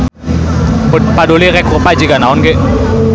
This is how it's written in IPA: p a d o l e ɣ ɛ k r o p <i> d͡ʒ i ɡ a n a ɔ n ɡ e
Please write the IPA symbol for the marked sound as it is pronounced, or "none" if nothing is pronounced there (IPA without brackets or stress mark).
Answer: a